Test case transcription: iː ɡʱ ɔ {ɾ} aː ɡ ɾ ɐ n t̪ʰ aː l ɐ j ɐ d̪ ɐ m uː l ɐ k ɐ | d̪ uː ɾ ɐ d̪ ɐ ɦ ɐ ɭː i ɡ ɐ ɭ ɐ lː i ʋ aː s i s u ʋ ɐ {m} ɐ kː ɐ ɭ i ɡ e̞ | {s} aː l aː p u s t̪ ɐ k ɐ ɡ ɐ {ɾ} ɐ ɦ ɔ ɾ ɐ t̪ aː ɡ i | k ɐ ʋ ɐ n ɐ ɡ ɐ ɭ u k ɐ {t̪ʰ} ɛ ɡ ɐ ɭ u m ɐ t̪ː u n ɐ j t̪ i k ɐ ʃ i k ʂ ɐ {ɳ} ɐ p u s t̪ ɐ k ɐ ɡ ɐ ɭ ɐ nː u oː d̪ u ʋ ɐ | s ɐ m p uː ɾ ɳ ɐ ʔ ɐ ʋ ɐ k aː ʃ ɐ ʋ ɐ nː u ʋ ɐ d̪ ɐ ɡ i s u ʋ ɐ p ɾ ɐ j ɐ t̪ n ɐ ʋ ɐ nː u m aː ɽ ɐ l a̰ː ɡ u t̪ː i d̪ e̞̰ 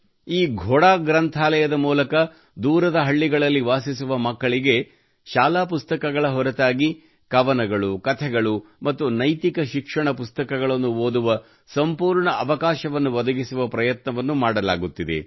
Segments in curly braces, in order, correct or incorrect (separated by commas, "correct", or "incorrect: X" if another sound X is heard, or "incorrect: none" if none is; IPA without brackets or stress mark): incorrect: ɽ, correct, incorrect: ʃ, incorrect: ɭ, correct, correct